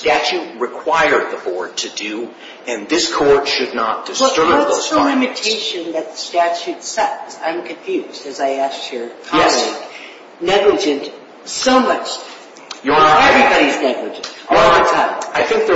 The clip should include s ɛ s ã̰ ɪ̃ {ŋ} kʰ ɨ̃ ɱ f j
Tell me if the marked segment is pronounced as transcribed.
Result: no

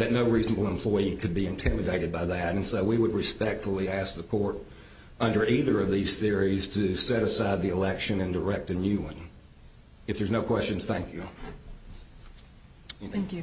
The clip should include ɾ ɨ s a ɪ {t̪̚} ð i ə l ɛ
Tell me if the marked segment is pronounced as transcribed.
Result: no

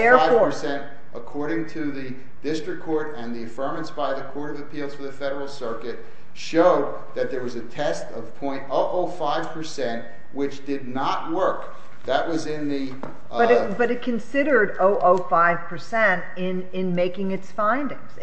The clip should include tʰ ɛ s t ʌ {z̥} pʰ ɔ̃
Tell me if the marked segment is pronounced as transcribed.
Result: no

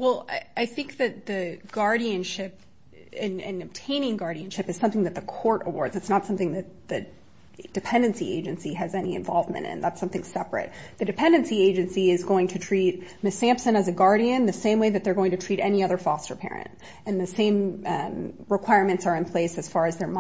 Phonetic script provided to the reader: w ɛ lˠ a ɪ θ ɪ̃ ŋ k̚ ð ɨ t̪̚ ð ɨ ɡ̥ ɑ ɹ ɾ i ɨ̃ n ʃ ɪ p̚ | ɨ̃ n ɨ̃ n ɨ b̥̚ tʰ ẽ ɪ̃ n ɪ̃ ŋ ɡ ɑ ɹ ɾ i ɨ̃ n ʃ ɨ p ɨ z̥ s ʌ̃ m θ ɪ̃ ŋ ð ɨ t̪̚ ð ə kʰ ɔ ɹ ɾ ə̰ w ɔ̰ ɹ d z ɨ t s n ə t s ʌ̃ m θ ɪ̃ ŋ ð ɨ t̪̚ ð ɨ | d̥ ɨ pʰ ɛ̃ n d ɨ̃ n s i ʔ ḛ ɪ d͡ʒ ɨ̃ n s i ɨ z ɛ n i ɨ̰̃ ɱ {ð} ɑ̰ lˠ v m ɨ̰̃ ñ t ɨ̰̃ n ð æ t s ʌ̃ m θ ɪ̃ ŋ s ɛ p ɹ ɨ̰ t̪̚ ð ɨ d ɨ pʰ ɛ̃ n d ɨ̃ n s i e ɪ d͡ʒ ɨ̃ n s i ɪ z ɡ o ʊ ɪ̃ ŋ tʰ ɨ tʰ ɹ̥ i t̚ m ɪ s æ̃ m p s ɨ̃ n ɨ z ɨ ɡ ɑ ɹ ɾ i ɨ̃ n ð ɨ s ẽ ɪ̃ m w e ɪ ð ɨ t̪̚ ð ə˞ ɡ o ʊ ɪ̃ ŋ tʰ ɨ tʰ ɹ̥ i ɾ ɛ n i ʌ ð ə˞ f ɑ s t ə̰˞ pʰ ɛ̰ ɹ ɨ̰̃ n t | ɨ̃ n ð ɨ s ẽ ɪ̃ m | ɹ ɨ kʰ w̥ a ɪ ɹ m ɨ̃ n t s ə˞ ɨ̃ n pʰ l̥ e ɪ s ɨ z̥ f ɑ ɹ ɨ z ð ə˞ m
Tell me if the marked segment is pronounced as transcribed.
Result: no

